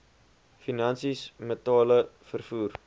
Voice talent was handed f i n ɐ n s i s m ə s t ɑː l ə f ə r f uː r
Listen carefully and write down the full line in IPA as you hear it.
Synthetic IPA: f i n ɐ n s i s m ə t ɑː l ə f ə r f uː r